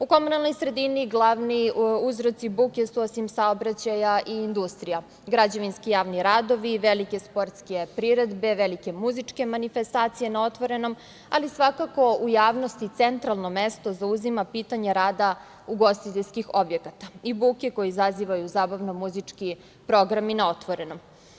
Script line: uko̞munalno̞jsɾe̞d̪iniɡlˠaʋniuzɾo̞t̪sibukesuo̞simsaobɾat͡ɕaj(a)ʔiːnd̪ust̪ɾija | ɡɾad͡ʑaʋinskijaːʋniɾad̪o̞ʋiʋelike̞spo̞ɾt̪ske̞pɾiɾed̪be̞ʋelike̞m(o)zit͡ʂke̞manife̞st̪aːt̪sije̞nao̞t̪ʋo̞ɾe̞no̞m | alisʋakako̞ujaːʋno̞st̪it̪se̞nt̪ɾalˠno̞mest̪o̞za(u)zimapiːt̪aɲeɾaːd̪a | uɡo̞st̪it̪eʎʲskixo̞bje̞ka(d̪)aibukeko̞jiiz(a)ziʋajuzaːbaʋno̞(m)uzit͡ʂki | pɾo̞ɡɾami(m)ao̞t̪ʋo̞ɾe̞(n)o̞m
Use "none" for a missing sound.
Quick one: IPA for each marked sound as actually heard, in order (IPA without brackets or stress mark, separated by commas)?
a, u, u, t̪, a, m, n, n